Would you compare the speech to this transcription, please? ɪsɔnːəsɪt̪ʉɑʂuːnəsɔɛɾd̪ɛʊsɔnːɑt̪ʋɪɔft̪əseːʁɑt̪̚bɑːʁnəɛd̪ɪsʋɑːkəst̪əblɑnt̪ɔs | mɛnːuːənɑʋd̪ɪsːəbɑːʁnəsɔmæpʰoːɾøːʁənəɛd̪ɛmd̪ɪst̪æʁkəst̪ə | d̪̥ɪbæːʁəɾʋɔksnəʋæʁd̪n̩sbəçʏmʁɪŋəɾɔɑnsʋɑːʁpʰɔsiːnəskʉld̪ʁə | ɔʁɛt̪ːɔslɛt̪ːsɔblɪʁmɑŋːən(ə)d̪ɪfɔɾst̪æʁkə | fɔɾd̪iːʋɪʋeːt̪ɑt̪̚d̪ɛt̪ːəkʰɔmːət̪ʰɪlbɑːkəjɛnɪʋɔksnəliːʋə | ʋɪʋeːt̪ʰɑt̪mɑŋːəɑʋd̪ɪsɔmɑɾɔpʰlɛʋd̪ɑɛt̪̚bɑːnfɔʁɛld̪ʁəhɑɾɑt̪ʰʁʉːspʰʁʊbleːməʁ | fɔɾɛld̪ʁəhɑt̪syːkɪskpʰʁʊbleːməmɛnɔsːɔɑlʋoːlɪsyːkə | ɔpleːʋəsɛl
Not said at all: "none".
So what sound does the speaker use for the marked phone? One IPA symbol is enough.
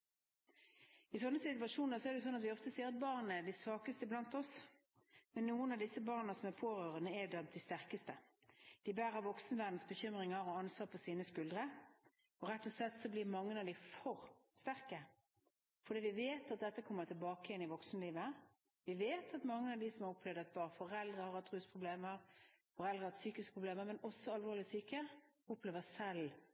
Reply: ɑ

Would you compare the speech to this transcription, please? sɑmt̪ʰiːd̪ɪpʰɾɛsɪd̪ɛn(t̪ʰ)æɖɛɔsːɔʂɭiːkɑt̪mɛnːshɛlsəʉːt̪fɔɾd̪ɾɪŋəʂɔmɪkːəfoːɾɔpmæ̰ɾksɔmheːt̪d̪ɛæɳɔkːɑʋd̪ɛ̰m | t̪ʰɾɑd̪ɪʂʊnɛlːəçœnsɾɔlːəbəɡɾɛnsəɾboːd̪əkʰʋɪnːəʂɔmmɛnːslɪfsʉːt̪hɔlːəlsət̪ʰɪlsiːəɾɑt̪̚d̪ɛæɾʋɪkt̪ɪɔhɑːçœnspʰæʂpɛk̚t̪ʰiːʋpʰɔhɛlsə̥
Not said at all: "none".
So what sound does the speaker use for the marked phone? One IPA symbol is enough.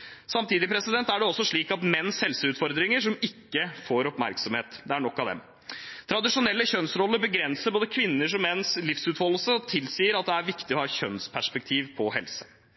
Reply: t̪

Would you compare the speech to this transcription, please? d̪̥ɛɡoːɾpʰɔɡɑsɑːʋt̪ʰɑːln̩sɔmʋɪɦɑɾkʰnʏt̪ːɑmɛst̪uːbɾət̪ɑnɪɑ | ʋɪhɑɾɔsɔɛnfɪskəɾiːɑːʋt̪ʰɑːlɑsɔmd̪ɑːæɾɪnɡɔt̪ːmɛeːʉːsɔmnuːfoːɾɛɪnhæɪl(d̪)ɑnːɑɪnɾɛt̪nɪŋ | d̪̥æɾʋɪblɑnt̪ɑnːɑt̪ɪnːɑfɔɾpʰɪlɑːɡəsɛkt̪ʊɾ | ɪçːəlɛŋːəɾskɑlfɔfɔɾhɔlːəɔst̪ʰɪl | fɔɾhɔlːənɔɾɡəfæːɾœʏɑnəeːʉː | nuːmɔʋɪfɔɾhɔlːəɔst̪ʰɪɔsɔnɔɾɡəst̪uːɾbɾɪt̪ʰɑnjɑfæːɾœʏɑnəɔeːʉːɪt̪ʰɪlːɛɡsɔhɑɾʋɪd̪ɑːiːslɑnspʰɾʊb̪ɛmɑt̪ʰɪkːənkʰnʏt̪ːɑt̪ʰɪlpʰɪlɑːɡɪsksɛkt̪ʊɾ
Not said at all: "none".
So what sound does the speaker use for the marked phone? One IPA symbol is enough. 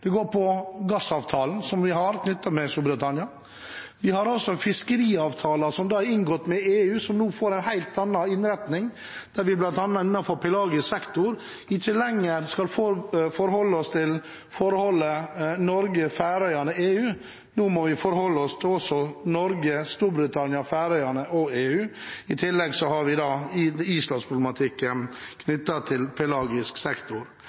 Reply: t̪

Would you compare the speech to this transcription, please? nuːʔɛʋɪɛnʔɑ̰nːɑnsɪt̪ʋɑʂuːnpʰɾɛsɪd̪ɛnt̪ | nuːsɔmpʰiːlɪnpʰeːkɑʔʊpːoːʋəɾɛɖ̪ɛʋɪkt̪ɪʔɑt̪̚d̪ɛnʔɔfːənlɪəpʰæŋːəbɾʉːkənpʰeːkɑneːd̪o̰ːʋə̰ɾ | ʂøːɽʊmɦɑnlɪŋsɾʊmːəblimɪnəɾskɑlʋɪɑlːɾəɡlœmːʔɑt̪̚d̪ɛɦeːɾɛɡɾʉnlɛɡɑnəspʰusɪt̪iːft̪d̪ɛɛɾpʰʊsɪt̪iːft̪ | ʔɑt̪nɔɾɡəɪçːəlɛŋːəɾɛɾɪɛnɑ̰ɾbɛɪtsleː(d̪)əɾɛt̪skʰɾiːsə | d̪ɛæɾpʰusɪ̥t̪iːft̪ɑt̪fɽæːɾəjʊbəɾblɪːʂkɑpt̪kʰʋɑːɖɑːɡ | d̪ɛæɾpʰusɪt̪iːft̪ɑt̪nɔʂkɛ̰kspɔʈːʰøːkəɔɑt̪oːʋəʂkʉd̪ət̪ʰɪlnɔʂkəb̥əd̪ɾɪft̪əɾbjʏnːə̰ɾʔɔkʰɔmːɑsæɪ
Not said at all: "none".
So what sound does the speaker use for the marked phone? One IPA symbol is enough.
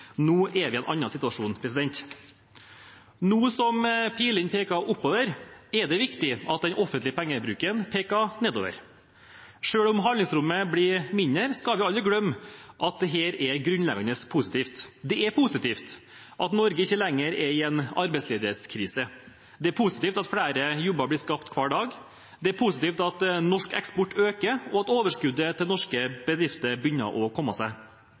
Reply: d̪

